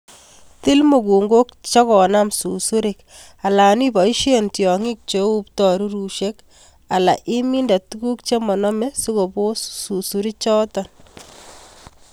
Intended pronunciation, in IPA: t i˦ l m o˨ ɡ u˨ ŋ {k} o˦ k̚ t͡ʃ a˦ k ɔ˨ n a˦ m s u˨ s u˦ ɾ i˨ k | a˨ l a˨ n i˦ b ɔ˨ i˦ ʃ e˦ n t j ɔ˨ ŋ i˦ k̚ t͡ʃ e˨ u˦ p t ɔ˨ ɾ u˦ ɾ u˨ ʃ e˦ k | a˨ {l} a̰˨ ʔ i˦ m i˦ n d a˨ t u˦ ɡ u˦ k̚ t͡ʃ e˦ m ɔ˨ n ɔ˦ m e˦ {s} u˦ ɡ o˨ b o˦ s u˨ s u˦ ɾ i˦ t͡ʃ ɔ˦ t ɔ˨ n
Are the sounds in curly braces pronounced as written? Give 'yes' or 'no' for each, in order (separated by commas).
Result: no, yes, yes